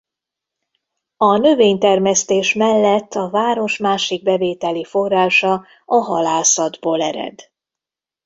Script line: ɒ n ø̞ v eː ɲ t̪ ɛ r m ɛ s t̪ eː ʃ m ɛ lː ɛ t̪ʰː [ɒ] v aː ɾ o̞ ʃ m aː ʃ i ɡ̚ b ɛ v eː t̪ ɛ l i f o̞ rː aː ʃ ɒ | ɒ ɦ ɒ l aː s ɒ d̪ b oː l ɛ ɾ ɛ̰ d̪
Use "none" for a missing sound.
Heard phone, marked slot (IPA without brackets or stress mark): ɒ